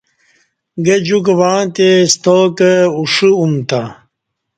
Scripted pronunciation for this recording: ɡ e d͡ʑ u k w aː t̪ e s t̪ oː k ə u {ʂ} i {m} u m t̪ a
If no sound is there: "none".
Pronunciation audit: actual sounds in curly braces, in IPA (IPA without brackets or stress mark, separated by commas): ʂ, none